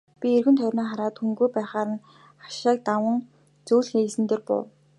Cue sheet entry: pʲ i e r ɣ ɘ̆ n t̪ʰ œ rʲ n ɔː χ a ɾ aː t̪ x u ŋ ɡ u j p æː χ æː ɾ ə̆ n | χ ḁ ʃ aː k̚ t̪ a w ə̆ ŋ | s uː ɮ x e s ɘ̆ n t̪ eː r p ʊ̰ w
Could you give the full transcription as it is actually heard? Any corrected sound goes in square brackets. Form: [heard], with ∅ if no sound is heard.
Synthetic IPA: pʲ i e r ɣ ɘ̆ n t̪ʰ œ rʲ n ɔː χ a ɾ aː t̪ x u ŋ ɡ u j p æː χ [aː] ɾ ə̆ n | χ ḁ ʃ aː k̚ t̪ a w ə̆ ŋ | [t͡s] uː ɮ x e s ɘ̆ n t̪ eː r p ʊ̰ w

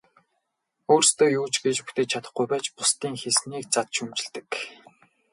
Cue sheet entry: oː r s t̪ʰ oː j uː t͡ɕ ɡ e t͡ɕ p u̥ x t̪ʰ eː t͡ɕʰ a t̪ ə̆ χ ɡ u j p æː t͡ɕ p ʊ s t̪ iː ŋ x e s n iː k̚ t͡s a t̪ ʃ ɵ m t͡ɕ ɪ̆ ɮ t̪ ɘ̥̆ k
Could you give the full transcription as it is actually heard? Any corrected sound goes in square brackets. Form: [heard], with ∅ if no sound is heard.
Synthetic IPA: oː r s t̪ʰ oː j uː t͡ɕ ɡ e t͡ɕ p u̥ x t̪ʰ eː t͡ɕʰ a t̪ ə̆ χ ɡ u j p æː t͡ɕ p ʊ s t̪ iː ŋ x e s n iː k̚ t͡s a t̪ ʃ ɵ m t͡ɕ ɪ̆ ɮ t̪ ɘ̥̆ k

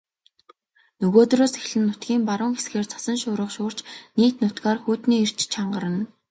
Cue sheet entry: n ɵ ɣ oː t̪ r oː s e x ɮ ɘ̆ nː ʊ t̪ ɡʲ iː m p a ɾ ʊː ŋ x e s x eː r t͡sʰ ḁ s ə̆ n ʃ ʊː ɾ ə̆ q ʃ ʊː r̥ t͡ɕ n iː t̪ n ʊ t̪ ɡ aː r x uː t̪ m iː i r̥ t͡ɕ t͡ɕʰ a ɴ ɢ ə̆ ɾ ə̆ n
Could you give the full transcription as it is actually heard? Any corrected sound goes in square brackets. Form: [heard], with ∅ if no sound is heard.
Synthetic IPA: n ɵ ɣ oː t̪ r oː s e x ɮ ɘ̆ nː ʊ t̪ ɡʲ iː m p a ɾ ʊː ŋ x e s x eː r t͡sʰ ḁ s ə̆ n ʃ ʊː ɾ ə̆ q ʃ ʊː r̥ t͡ɕ n iː t̪ n ʊ t̪ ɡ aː r x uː t̪ [n] iː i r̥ t͡ɕ t͡ɕʰ a ɴ ɢ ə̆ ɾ ə̆ n

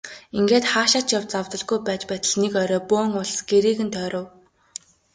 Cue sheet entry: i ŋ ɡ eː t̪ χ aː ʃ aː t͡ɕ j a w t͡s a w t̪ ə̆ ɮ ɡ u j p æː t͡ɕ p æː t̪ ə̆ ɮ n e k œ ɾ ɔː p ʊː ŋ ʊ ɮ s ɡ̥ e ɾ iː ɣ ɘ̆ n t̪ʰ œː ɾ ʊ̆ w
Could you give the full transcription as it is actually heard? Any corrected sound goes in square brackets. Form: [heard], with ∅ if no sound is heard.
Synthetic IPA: i ŋ ɡ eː t̪ χ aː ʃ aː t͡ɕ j a w t͡s a w t̪ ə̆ ɮ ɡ u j p æː t͡ɕ p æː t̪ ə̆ ɮ n e k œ ɾ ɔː p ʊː ŋ ʊ ɮ s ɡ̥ e ɾ iː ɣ ɘ̆ n t̪ʰ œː ɾ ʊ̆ w

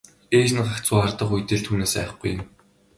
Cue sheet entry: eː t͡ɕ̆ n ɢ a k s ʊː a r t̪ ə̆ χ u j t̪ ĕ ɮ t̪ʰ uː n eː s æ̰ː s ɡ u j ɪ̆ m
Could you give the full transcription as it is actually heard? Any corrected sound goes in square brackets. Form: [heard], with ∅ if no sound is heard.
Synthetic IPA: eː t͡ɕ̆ n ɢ a k [t͡s] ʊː a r t̪ ə̆ χ u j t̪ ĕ ɮ t̪ʰ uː n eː s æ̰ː [χ] ɡ u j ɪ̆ m

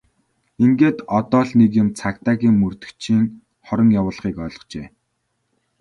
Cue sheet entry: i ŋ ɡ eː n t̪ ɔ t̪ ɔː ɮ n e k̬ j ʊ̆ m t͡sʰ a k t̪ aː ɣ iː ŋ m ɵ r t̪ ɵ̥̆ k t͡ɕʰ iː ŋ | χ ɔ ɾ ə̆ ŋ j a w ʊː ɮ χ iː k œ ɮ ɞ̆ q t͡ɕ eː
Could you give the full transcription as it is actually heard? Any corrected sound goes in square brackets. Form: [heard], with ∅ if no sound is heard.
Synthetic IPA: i ŋ ɡ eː [∅] t̪ ɔ t̪ ɔː ɮ n e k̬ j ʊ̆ m t͡sʰ a k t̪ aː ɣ iː ŋ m ɵ r t̪ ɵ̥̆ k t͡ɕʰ iː ŋ | χ ɔ ɾ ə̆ ŋ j a w ʊː ɮ χ iː k [œː] ɮ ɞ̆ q t͡ɕ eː

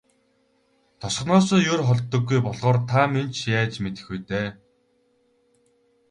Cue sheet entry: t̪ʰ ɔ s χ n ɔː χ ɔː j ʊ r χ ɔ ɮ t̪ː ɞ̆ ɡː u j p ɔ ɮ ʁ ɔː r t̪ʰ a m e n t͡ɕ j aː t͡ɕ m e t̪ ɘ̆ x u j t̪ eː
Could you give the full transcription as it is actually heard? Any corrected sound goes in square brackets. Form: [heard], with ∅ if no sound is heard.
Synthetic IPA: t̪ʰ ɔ s χ n ɔː [s] ɔː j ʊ r χ ɔ ɮ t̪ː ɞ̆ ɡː u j p ɔ ɮ ʁ ɔː r t̪ʰ a m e n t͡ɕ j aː t͡ɕ m e t̪ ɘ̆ x u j t̪ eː

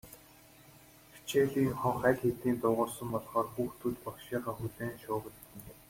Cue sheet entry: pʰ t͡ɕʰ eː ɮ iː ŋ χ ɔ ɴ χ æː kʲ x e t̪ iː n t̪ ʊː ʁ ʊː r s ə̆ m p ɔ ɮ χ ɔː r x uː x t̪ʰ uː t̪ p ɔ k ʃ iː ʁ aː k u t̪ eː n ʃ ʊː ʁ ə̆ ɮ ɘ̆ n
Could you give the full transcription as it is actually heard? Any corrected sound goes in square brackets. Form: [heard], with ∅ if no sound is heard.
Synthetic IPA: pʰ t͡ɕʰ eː ɮ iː ŋ χ ɔ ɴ χ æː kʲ x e t̪ iː n t̪ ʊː ʁ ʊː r s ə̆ m p ɔ ɮ χ ɔː r x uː x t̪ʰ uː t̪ p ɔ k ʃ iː ʁ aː [x] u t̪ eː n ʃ ʊː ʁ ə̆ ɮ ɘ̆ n

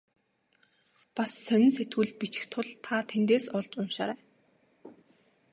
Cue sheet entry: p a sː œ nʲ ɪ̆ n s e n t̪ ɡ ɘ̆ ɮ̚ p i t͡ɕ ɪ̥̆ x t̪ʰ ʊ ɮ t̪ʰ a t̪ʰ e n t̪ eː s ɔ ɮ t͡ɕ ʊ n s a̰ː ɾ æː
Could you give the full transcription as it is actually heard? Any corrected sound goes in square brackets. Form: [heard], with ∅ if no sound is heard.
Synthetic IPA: p a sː œ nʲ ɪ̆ n s e [∅] t̪ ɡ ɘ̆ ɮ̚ p i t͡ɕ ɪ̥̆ x t̪ʰ ʊ ɮ t̪ʰ a t̪ʰ e n t̪ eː s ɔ ɮ t͡ɕ ʊ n [ʃ] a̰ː ɾ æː

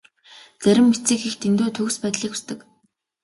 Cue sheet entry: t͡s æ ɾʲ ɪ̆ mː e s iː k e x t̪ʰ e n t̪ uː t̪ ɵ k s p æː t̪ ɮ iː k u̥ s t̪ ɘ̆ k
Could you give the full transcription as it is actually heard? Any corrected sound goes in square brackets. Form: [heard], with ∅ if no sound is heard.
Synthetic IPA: t͡s æ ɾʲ ɪ̆ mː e [t͡s] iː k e x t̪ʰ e n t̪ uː [t̪ʰ] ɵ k s p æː t̪ ɮ iː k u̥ s t̪ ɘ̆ k

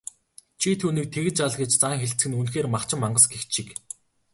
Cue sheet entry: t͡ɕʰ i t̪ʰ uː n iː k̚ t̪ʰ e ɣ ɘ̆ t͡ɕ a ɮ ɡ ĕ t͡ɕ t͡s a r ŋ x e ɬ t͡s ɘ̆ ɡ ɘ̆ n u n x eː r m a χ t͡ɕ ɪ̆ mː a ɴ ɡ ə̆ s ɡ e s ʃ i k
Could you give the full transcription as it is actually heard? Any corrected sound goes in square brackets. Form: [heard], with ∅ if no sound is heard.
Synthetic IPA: t͡ɕʰ i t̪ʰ uː n iː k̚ t̪ʰ e ɣ ɘ̆ t͡ɕ a ɮ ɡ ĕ t͡ɕ t͡s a [∅] ŋ x e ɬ t͡s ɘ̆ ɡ ɘ̆ n u n x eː r m a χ t͡ɕ ɪ̆ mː a ɴ [ɢ] ə̆ s ɡ e [x] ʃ i k

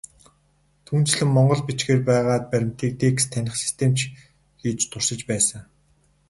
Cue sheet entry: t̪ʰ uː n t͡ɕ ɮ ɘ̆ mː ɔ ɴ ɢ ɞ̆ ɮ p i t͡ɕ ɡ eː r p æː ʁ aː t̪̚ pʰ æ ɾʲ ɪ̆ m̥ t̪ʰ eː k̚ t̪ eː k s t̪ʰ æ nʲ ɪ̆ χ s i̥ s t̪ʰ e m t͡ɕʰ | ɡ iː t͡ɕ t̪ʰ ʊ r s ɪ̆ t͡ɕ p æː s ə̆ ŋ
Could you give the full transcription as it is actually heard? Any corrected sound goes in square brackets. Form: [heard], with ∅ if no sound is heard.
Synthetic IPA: t̪ʰ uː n t͡ɕ ɮ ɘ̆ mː ɔ ɴ ɢ ɞ̆ ɮ p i t͡ɕ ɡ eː r p æː ʁ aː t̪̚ [p] æ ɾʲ ɪ̆ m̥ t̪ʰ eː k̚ t̪ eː k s t̪ʰ æ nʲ ɪ̆ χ s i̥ s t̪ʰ e m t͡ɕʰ | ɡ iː t͡ɕ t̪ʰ ʊ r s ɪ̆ t͡ɕ p æː s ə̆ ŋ

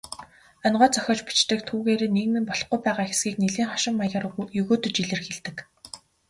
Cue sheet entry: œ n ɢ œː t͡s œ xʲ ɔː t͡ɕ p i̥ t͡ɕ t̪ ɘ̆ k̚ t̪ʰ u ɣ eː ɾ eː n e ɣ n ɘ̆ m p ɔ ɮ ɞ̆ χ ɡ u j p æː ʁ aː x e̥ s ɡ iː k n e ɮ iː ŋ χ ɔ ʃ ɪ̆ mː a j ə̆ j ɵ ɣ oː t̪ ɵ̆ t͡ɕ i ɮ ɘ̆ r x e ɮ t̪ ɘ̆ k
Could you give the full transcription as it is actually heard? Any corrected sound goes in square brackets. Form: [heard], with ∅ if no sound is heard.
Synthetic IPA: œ n ɢ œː t͡s œ xʲ ɔː t͡ɕ p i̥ t͡ɕ t̪ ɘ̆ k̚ t̪ʰ [uː] ɣ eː ɾ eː n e ɣ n ɘ̆ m p ɔ ɮ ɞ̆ χ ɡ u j p æː ʁ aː x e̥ s ɡ iː k n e ɮ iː ŋ χ ɔ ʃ ɪ̆ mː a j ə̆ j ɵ ɣ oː t̪ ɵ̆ t͡ɕ i ɮ ɘ̆ r x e ɮ t̪ ɘ̆ k

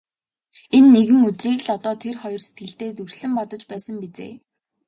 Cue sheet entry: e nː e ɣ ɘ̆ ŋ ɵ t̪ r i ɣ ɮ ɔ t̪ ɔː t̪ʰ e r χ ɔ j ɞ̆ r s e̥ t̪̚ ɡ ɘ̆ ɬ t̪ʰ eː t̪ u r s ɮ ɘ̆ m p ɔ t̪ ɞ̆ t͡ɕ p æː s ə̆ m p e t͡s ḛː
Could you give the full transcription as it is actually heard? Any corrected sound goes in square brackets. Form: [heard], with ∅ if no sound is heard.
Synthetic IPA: e nː e ɣ ɘ̆ ŋ ɵ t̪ r [iː] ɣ ɮ ɔ t̪ ɔː t̪ʰ e r χ ɔ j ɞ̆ r s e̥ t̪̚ ɡ ɘ̆ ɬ [t̪] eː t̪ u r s ɮ ɘ̆ m p ɔ t̪ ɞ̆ t͡ɕ p æː s ə̆ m p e t͡s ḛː

